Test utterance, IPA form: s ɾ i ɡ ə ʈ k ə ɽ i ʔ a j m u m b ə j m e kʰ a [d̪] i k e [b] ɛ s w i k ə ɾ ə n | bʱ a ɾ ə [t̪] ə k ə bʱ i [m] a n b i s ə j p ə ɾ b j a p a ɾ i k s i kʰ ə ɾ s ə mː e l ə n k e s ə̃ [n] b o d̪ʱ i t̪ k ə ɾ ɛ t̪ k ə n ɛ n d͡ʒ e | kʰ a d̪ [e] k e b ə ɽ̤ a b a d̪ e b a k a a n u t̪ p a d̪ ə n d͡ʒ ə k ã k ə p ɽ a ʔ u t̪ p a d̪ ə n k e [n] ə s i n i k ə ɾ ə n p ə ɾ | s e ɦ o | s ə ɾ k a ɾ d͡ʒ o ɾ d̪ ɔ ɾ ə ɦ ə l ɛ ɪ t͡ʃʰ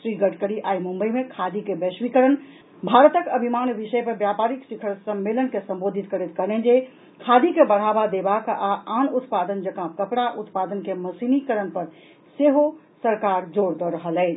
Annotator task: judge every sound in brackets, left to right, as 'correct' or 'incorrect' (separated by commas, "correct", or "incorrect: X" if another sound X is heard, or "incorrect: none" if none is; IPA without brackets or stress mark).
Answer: correct, correct, correct, correct, incorrect: m, incorrect: i, incorrect: m